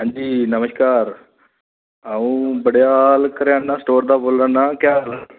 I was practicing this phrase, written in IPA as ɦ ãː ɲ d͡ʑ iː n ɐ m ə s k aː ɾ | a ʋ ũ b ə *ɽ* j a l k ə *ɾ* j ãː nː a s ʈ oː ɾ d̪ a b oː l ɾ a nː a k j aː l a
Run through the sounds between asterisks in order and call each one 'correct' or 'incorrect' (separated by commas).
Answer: correct, correct